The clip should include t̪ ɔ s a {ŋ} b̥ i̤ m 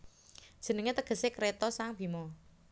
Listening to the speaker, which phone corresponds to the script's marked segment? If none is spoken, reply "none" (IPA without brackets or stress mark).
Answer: ŋ